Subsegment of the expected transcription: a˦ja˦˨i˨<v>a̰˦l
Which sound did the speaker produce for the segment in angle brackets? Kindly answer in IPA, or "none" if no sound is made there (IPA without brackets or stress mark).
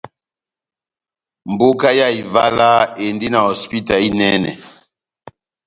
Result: v